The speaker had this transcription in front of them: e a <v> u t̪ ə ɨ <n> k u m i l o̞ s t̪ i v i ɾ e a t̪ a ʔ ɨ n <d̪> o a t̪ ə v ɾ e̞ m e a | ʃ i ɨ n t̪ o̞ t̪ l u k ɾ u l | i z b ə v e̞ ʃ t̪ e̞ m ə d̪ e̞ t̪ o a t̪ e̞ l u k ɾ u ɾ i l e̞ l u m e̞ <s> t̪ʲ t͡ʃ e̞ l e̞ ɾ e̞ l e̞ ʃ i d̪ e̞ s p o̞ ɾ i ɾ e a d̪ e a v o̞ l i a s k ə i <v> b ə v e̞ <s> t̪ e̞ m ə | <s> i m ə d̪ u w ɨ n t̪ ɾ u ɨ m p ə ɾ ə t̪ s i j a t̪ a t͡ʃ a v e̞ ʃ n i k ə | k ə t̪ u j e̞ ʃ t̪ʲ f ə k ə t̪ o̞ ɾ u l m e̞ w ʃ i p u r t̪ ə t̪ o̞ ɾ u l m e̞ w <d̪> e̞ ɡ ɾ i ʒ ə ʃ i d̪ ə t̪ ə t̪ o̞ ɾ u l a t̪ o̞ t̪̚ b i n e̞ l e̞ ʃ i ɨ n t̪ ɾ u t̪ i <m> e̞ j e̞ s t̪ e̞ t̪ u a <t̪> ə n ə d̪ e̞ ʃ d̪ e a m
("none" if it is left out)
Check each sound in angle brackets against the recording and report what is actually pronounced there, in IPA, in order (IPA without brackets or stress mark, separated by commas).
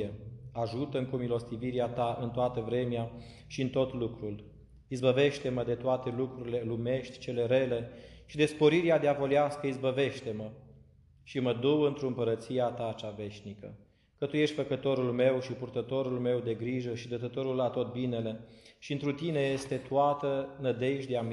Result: ʒ, ŋ, t̪, ʃ, z, ʃ, ʃ, d̪, n, t̪